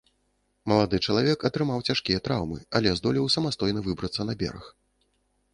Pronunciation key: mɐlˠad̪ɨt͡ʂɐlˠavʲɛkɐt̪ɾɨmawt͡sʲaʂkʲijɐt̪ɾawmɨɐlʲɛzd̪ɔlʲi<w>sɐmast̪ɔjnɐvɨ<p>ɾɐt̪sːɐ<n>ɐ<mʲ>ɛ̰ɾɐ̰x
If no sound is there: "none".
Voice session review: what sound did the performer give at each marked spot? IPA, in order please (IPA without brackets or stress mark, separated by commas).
w, b, n, bʲ